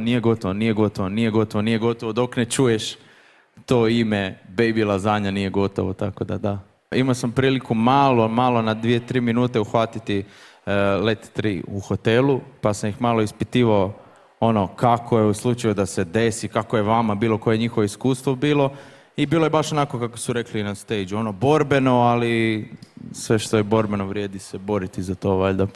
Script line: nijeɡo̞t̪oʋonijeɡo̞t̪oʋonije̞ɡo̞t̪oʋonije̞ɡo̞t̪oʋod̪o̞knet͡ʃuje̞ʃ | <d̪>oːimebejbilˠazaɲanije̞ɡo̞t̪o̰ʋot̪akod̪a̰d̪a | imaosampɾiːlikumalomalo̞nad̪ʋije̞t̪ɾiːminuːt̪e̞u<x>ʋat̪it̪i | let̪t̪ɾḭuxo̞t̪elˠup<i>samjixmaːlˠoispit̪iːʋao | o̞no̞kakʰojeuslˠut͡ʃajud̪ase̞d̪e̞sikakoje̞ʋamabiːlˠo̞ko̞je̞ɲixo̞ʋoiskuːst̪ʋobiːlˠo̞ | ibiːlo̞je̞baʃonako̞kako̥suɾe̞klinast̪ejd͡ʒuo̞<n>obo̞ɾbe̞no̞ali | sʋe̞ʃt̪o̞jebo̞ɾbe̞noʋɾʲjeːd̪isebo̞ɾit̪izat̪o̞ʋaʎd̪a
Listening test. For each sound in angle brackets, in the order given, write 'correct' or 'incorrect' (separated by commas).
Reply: incorrect, correct, incorrect, correct